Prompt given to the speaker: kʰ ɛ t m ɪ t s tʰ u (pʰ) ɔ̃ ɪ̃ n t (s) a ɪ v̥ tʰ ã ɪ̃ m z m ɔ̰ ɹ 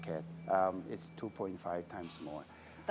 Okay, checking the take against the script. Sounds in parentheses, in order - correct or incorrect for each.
correct, incorrect

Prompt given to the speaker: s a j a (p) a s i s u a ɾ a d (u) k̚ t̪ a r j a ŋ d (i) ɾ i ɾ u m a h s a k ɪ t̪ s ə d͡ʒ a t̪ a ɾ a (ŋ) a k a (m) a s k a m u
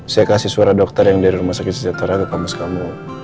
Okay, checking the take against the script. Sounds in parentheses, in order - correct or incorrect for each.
incorrect, incorrect, incorrect, incorrect, correct

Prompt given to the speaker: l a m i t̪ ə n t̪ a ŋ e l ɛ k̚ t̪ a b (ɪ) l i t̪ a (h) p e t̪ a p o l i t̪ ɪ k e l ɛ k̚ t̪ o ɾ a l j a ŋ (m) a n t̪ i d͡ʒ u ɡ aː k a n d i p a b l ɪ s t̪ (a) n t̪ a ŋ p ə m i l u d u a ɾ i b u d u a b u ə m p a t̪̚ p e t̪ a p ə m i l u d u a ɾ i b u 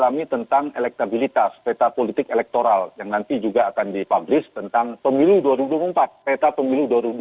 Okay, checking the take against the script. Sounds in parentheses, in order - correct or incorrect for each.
incorrect, incorrect, incorrect, incorrect

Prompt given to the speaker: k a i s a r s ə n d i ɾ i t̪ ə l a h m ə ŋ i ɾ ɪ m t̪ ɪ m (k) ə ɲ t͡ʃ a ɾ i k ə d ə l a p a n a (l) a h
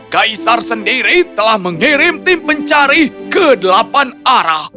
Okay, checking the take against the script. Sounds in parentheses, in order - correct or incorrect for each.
incorrect, incorrect

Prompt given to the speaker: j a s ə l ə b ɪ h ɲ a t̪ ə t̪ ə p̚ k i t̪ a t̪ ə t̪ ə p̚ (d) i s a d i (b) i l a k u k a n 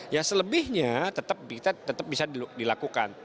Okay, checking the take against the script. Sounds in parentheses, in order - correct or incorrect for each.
incorrect, incorrect

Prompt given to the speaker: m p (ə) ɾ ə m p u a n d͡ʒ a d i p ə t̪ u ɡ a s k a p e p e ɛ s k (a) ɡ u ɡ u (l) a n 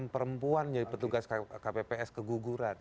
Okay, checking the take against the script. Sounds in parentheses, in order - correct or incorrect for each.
correct, incorrect, incorrect

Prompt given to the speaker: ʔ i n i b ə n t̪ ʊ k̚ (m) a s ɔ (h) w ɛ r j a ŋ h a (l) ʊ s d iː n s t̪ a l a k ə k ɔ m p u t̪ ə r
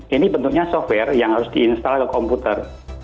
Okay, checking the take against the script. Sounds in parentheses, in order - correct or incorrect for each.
incorrect, incorrect, incorrect

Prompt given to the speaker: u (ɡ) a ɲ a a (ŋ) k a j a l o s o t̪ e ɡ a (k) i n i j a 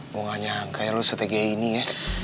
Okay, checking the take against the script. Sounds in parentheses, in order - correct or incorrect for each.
incorrect, correct, incorrect

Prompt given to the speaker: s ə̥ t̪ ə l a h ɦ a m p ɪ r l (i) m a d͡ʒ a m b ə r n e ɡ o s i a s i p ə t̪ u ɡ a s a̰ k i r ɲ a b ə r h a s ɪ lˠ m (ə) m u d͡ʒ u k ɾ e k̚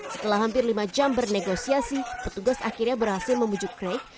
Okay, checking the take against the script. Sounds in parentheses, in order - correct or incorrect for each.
correct, correct

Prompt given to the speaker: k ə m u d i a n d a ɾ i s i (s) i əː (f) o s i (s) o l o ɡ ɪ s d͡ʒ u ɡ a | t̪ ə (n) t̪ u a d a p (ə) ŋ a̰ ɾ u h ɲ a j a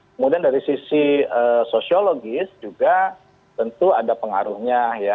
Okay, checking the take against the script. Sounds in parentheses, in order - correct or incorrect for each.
correct, incorrect, incorrect, correct, correct

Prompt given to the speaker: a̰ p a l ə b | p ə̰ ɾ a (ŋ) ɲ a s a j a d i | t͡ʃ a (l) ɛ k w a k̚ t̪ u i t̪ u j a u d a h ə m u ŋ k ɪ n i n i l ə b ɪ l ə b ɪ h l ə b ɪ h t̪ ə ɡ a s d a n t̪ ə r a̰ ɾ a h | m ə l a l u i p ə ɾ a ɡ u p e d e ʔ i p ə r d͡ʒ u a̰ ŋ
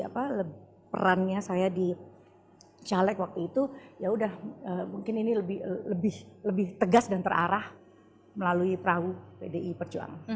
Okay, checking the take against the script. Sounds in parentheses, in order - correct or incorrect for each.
incorrect, correct

